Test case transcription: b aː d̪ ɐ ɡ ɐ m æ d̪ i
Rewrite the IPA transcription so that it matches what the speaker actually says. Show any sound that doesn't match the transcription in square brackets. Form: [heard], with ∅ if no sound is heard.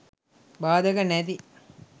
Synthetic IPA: b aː d̪ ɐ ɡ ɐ [n] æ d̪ i